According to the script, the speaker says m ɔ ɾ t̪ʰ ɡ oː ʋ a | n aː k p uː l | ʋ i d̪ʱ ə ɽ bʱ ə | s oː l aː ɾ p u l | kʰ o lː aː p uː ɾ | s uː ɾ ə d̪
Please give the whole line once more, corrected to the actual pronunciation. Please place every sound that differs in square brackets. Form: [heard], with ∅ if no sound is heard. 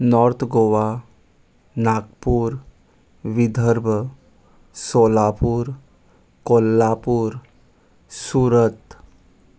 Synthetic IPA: [n] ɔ ɾ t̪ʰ ɡ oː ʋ a | n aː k p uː [ɾ] | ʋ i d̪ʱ ə [ɾ] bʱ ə | s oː l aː [∅] p u [ɾ] | [k] o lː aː p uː ɾ | s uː ɾ ə [t̪]